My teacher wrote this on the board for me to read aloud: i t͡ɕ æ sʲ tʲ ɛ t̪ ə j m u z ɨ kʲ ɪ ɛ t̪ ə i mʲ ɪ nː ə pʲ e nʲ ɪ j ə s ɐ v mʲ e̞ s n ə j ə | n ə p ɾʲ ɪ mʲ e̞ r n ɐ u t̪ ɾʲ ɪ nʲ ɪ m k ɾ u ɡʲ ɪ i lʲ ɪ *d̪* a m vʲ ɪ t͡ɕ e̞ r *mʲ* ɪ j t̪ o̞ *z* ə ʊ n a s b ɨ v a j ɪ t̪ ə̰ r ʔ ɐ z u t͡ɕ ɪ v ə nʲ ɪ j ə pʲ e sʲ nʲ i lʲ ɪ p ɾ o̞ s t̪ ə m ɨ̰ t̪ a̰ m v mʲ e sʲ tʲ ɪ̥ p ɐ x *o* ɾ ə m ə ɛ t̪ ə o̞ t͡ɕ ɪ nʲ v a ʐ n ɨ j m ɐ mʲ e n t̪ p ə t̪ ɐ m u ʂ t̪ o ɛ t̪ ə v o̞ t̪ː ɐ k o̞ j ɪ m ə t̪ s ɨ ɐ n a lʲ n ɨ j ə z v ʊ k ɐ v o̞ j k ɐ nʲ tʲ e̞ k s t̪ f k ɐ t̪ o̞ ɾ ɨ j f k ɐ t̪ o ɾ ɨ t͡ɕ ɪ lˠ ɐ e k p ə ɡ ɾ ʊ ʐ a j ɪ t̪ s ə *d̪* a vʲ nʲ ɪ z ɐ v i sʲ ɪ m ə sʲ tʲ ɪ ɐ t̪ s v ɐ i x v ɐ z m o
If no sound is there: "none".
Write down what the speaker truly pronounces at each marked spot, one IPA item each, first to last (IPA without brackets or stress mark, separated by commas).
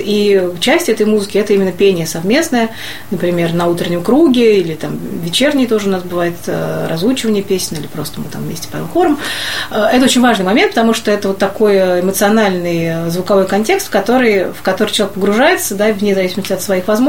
t̪, nʲ, ʐ, o, d̪